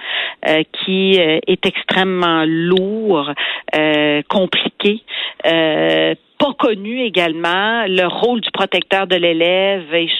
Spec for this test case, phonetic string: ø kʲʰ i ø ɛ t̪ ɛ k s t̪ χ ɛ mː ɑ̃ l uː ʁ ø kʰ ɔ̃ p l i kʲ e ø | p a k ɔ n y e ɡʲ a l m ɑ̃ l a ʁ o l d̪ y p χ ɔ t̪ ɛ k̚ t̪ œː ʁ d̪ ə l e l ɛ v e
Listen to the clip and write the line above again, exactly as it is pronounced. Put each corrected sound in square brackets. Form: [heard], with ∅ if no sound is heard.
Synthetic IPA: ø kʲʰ i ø ɛ t̪ ɛ k s t̪ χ ɛ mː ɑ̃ l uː ʁ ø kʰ ɔ̃ p l i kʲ e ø | p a k ɔ n y e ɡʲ a l m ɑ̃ l [ə] ʁ o l d̪ y p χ ɔ t̪ ɛ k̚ t̪ œː ʁ d̪ ə l e l ɛ v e